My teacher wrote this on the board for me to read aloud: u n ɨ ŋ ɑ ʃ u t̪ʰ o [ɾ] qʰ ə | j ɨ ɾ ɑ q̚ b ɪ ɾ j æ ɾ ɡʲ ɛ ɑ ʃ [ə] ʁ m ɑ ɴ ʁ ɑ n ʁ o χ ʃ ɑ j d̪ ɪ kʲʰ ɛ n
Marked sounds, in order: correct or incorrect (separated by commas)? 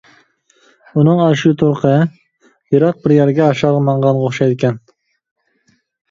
correct, incorrect